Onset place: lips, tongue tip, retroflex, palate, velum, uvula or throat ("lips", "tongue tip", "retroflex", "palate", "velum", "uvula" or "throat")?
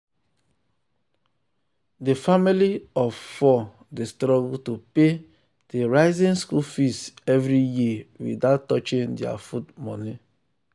tongue tip